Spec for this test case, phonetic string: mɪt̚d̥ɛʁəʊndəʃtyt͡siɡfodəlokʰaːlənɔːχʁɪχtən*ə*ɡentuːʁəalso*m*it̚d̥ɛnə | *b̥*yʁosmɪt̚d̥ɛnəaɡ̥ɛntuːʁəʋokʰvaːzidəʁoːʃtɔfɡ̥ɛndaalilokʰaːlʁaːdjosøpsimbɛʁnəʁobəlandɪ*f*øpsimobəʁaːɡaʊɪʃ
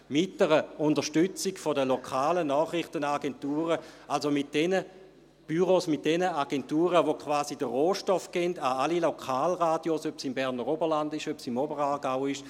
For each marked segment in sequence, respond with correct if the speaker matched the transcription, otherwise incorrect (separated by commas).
incorrect, correct, correct, incorrect